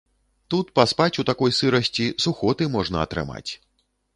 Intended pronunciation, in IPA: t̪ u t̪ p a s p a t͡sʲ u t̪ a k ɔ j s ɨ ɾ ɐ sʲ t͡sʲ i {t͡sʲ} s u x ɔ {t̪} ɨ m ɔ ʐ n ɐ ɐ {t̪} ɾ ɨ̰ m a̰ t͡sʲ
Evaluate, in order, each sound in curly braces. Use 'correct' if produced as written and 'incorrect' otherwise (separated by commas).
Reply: incorrect, correct, correct